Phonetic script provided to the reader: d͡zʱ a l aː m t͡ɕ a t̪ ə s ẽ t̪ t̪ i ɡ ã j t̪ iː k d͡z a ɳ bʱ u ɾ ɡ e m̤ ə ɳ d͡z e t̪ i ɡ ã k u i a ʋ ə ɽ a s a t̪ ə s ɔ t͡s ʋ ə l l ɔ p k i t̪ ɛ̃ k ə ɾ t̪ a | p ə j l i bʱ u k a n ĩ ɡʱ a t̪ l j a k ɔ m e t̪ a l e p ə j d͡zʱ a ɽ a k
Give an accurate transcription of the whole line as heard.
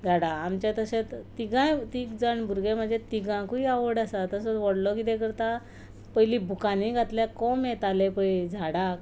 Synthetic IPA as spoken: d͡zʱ a ɽ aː m t͡ɕ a t̪ ə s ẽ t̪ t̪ i ɡ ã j t̪ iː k d͡z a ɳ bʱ u ɾ ɡ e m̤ ə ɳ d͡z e t̪ i ɡ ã k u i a ʋ ə ɽ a s a t̪ ə s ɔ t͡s ʋ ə ɽ l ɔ k i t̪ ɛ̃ k ə ɾ t̪ a | p ə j l i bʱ u k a n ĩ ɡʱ a t̪ l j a k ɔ m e t̪ a l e p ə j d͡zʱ a ɽ a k

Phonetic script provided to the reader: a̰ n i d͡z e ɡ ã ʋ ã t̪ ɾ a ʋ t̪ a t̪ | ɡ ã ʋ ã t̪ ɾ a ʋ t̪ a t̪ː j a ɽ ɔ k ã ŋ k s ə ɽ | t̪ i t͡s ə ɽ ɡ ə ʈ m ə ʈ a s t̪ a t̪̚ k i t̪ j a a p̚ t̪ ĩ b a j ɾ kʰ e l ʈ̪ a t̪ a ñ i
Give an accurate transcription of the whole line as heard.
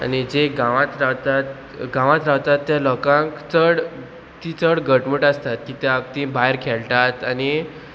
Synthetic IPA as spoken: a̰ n i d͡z e ɡ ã ʋ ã t̪ ɾ a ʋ t̪ a t̪ | ɡ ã ʋ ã t̪ ɾ a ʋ t̪ a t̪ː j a l ɔ k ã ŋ k t͡s ə ɽ | t̪ i t͡s ə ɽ ɡ ə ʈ m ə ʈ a s t̪ a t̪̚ k i t̪ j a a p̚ t̪ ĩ b a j ɾ kʰ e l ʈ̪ a t̪ a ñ i

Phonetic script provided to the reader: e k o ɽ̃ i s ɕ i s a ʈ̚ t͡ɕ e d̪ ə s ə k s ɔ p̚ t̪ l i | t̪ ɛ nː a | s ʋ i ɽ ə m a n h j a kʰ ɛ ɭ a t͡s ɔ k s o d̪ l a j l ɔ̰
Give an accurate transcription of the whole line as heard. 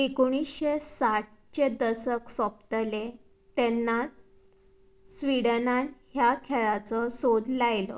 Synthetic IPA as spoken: e k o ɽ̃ i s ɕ e s a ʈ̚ t͡ɕ e d̪ ə s ə k s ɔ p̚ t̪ l e | t̪ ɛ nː a | s ʋ i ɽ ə n a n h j a kʰ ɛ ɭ a t͡s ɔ s o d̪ l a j l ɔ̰

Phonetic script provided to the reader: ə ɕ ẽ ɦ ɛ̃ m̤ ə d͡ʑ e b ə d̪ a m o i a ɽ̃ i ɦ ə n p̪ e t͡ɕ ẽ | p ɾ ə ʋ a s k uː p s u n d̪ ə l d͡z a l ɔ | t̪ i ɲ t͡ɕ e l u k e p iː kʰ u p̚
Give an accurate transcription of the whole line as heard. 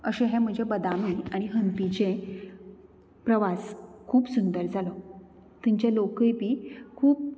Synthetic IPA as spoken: ə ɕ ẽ ɦ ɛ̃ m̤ ə d͡ʑ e b ə d̪ a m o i a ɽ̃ i ɦ ə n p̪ i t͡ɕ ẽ | p ɾ ə ʋ a s kʰ uː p s u n d̪ ə ɾ d͡z a l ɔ | t̪ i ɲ t͡ɕ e l o k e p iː kʰ uː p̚

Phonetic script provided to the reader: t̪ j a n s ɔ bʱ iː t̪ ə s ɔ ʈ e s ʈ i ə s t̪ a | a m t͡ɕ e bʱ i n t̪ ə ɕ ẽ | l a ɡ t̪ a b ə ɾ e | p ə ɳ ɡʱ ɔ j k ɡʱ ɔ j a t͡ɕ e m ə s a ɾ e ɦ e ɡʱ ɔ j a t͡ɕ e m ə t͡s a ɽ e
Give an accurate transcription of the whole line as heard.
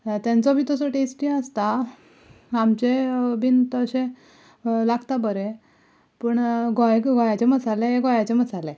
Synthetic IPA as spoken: t̪ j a n t͡s ɔ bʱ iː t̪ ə s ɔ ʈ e s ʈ i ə s t̪ a | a m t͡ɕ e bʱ i n t̪ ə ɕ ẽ | l a ɡ t̪ a b ə ɾ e | p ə ɳ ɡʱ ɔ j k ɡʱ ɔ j a t͡ɕ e m ə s a l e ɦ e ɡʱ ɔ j a t͡ɕ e m ə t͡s a l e

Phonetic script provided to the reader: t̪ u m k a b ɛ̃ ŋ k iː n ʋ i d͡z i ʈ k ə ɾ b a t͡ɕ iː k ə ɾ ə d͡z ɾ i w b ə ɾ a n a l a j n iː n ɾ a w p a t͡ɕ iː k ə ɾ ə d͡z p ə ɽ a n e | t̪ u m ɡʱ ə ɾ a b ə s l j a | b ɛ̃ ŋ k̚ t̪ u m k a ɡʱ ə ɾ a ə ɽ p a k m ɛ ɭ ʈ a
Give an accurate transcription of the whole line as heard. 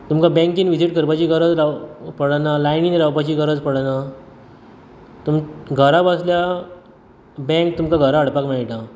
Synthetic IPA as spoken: t̪ u m k a b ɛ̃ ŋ k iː n ʋ i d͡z i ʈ k ə ɾ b a t͡ɕ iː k ə ɾ ə d͡z ɾ a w p ə ɽ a n a l a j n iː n ɾ a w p a t͡ɕ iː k ə ɾ ə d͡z p ə ɽ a n a | t̪ u m ɡʱ ə ɾ a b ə s l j a | b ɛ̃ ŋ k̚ t̪ u m k a ɡʱ ə ɾ a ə ɽ p a k m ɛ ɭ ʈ a

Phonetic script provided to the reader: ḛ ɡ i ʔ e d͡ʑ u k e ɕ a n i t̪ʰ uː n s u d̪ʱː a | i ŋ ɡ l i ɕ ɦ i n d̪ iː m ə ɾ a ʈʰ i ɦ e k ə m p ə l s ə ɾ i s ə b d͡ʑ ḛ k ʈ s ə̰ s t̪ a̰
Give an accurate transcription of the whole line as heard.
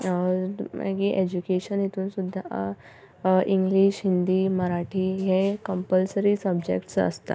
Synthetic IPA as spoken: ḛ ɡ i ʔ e d͡ʑ u k e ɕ ə n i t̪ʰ uː n s u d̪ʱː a | i ŋ ɡ l i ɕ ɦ i n d̪ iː m ə ɾ a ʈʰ i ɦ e k ə m p ə l s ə ɾ i s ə b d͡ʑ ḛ k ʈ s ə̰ s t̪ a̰

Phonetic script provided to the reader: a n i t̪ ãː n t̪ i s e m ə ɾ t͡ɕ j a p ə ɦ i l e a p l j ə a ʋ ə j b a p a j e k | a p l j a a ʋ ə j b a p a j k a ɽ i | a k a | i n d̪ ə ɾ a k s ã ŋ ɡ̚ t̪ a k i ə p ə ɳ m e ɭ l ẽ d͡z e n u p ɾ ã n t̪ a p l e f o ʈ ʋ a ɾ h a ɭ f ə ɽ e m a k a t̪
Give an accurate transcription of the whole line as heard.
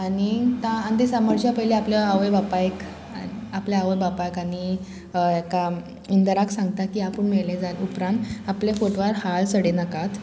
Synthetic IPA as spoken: a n i t̪ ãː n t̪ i s a m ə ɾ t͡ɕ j a p ə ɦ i l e a p l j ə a ʋ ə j b a p a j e k | a p l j a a ʋ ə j b a p a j k a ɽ i | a k a | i n d̪ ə ɾ a k s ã ŋ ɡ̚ t̪ a k i a p ə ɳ m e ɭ l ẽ d͡z a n u p ɾ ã n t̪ a p l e f o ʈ ʋ a ɾ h a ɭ s ə ɽ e n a k a t̪

